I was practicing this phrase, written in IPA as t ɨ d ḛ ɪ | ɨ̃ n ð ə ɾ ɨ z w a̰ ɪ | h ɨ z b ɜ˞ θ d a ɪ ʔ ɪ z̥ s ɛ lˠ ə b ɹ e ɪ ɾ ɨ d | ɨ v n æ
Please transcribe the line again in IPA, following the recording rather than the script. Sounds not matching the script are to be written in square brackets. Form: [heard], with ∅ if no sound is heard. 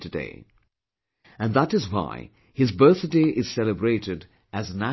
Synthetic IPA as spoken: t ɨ d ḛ ɪ | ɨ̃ n ð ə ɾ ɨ z w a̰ ɪ | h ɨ z b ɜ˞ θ d [e] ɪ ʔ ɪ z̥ s ɛ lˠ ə b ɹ e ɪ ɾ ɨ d | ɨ [z] n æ